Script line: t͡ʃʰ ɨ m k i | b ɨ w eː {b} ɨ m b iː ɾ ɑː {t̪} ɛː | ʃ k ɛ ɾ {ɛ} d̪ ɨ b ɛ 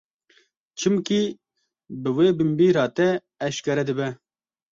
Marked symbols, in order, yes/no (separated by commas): yes, yes, yes